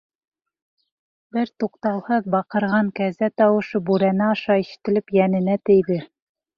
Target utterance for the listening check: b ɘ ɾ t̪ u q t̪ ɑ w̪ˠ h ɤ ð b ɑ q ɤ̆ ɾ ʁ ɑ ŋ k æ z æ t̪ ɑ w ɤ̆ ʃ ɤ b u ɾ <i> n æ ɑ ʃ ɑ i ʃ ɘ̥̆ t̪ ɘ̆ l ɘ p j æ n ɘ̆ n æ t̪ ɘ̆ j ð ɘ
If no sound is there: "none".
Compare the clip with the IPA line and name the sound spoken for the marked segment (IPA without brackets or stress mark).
æ